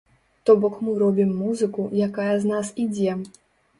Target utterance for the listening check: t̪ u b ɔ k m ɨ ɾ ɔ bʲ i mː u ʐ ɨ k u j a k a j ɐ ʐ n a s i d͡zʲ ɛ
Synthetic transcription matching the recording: t̪ ɔ b ɔ k m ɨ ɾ ɔ bʲ i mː u z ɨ k u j a k a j ɐ z n a s i d͡zʲ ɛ

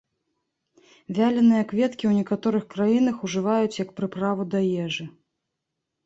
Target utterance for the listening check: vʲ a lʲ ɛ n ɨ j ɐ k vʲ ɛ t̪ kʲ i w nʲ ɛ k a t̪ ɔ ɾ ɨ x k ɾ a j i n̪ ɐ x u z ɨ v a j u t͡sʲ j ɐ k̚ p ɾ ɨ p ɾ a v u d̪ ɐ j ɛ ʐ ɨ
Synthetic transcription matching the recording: vʲ a lʲ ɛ n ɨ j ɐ k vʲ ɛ t̪ kʲ i w nʲ ɛ k a t̪ ɔ ɾ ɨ x k ɾ a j i n̪ ɐ x u ʐ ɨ v a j u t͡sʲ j ɐ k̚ p ɾ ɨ p ɾ a v u d̪ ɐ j ɛ ʐ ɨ

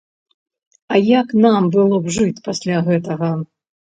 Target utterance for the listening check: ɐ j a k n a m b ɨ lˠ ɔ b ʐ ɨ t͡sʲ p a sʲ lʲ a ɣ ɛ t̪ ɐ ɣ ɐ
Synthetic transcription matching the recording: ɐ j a k n a m b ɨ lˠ ɔ b ʐ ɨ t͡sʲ p a sʲ lʲ a ɣ ɛ t̪ ɐ ɣ ɐ

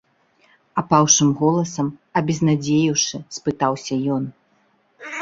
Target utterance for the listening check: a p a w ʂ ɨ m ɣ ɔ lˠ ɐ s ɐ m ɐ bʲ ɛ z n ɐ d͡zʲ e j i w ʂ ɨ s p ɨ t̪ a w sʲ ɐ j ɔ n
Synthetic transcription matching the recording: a p a w ʂ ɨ m ɣ ɔ lˠ ɐ s ɐ m ɐ bʲ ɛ z n a d͡zʲ e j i w ʂ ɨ s p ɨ t̪ a w sʲ ɐ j ɔ n

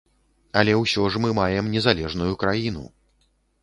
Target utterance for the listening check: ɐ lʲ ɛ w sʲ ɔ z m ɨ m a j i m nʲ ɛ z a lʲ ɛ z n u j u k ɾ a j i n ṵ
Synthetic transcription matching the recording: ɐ lʲ ɛ w sʲ ɔ ʐ m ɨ m a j ɛ m nʲ ɛ z a lʲ ɛ ʐ n u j u k ɾ a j i n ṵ

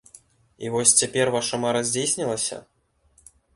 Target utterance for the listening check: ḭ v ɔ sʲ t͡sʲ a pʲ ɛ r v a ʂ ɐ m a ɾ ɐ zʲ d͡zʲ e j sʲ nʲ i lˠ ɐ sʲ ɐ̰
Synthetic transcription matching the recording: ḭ v ɔ sʲ t͡sʲ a pʲ ɛ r v a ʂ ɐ m a ɾ ɐ zʲ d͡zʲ e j sʲ nʲ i lˠ ɐ sʲ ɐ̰

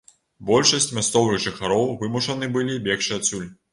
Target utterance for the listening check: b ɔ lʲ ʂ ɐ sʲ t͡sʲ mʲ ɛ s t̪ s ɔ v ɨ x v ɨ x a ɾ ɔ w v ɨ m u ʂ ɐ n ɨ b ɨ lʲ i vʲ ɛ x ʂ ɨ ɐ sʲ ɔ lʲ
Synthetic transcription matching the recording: b ɔ lʲ ʂ ɐ sʲ t͡sʲ mʲ a s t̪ s ɔ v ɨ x ʐ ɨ x a ɾ ɔ w v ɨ m u ʂ ɐ n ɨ b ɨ lʲ i bʲ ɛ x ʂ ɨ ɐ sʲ u lʲ

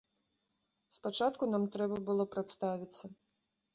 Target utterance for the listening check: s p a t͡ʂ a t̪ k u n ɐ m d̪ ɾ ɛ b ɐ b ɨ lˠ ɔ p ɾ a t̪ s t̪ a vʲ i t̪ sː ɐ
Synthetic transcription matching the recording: s p a t͡ʂ a t̪ k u n a m t̪ ɾ ɛ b ɐ b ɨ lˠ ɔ p ɾ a t̪ s t̪ a vʲ i t̪ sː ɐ

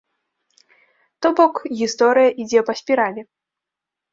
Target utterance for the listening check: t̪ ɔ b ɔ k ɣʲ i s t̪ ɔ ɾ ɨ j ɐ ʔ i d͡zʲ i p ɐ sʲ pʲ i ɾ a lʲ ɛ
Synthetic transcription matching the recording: t̪ ɔ b ɔ k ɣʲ i s t̪ ɔ ɾ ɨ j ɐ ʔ i d͡zʲ ɛ p ɐ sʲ pʲ i ɾ a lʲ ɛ

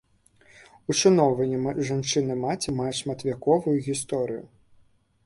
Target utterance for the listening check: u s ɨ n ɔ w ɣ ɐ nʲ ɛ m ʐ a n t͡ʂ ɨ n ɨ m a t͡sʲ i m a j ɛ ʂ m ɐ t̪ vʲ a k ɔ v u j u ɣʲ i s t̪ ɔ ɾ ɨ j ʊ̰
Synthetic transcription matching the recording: u ʂ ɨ n ɔ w v ɐ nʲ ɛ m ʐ a n t͡ʂ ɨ n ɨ m a t͡sʲ i m a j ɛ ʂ m ɐ t̪ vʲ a k ɔ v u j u ɣʲ i s t̪ ɔ ɾ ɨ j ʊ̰

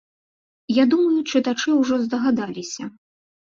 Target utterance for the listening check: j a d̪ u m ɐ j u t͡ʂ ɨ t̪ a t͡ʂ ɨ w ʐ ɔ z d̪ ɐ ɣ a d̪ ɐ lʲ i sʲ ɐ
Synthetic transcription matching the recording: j a d̪ u m ɐ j u t͡ʂ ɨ t̪ a t͡ʂ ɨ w ʐ ɔ z d̪ ɐ ɣ a d̪ a lʲ i sʲ ɐ

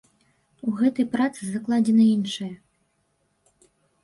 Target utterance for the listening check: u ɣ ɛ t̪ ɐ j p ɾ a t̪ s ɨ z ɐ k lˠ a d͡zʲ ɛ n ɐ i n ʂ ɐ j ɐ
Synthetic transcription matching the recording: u ɣ ɛ t̪ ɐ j p ɾ a t̪ s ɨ z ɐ k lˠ a d͡zʲ ɛ n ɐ i n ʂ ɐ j ɐ

